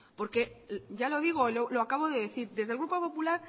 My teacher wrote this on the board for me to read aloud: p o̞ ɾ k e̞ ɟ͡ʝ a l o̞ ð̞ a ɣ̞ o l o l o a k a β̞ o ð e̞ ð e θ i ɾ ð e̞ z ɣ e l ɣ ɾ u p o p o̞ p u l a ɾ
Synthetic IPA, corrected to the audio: p o̞ ɾ k e̞ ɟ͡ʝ a l o̞ ð̞ i ɣ̞ o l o l o a k a β̞ o ð e̞ ð e θ i ɾ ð e̞ z ð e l ɣ ɾ u p o p o̞ p u l a ɾ